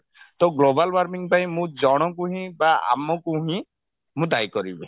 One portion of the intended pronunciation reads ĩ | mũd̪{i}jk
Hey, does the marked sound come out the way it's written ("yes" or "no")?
no